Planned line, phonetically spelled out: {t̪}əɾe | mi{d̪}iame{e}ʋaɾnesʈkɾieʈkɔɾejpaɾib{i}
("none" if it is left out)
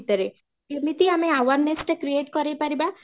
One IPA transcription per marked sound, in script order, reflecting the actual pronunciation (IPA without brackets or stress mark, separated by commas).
t̪, t̪, a, a